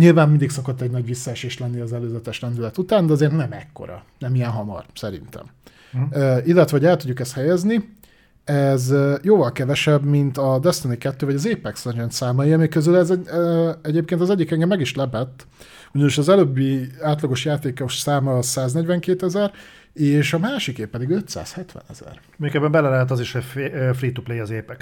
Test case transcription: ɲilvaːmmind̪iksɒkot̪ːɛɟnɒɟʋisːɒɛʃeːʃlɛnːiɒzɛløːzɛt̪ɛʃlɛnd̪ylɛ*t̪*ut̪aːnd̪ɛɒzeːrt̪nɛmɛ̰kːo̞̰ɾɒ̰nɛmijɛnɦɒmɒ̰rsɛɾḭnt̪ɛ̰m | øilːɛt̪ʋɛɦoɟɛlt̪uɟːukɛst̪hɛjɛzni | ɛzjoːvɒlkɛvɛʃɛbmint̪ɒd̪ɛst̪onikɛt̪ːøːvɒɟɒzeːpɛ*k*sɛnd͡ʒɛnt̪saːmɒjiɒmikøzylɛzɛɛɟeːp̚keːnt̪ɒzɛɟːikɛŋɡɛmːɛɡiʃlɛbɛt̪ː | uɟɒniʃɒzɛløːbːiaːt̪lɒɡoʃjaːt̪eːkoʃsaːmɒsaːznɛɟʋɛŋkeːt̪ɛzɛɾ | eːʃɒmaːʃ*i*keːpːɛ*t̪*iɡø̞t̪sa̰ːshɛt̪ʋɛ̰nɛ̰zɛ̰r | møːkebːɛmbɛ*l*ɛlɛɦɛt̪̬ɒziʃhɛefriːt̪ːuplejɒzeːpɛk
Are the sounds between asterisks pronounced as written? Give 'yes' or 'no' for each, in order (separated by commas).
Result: yes, yes, yes, no, yes